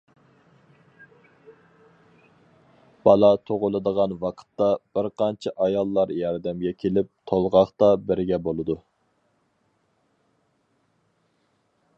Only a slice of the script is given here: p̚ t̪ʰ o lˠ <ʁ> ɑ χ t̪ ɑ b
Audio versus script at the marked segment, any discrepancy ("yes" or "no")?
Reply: no